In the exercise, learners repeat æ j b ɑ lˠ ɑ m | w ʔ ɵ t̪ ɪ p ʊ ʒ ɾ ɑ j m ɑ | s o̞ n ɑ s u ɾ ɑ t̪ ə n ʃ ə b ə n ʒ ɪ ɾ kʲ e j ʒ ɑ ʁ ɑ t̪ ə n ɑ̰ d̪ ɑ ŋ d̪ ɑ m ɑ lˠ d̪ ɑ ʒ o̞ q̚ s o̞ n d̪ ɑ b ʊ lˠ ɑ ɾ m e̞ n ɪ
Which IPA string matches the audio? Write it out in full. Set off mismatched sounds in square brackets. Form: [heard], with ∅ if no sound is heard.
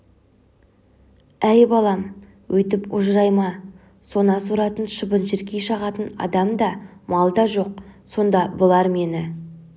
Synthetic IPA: æ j b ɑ lˠ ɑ m | w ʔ ɵ t̪ ɪ p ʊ ʒ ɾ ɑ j m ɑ | s o̞ n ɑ s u ɾ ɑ t̪ ə n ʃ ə b ə n ʒ ɪ ɾ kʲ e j [ʃ] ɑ ʁ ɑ t̪ ə n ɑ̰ d̪ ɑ [m] d̪ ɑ m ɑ lˠ d̪ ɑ ʒ o̞ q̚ s o̞ n d̪ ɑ b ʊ lˠ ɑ ɾ m e̞ n ɪ